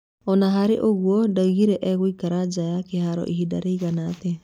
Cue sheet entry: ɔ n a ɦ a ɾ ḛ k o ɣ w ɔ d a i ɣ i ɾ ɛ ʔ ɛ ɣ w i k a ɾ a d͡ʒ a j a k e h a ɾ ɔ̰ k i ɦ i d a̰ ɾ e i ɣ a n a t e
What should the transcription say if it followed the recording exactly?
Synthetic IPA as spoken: ɔ n a ɦ a ɾ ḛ ʔ o ɣ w ɔ d a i ɣ i ɾ ɛ ʔ ɛ ɣ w i k a ɾ a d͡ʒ a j a k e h a ɾ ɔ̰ ʔ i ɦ i d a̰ ɾ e i ɣ a n a t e